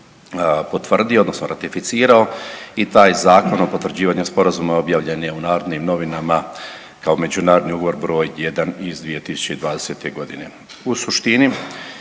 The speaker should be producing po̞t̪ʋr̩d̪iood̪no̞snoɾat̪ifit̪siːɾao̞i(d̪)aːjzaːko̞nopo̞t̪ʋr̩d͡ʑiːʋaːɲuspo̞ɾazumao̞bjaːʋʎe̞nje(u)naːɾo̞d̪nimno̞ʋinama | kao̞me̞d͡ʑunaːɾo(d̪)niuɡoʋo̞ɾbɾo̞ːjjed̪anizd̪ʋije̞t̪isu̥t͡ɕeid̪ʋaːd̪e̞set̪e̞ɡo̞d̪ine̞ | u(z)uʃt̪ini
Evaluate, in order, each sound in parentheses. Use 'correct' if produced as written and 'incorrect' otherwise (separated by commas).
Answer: incorrect, correct, correct, incorrect